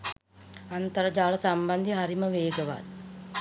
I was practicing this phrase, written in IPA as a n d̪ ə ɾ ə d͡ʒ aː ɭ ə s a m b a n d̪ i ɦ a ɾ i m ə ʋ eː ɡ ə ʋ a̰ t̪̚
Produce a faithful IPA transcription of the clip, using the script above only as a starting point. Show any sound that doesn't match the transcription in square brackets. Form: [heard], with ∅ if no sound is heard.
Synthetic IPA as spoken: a n [t̪] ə ɾ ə d͡ʒ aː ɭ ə s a m b a n d̪ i ɦ a ɾ i m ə ʋ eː ɡ ə ʋ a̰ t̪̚